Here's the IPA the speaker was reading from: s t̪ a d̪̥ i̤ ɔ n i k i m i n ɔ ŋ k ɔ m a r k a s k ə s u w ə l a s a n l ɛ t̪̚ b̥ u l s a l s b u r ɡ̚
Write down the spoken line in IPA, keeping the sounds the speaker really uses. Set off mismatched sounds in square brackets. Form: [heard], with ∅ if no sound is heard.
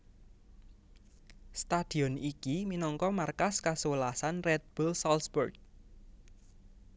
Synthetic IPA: s t̪ a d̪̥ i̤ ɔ n i k i m i n ɔ ŋ k ɔ m a r k a s k [a] s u w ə l a s a n [r] ɛ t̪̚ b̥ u l s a l s b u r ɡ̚